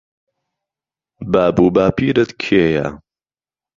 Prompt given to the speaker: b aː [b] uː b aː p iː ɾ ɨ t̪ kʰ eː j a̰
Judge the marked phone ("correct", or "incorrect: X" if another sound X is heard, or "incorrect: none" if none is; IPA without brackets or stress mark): correct